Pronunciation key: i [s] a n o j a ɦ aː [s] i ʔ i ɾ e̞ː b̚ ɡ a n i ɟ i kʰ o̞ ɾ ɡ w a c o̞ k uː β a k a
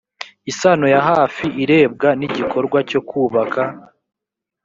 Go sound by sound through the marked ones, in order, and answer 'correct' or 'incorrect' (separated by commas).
correct, incorrect